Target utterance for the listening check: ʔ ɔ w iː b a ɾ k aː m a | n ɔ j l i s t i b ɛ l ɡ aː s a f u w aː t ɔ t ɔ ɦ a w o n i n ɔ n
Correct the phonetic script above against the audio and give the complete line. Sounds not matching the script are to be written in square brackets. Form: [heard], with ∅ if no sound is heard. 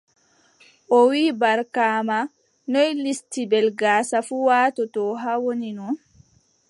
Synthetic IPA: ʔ ɔ w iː b a ɾ k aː m a | n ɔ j l i s t i b ɛ l ɡ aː s a f u w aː t ɔ t ɔ ɦ a w o n i n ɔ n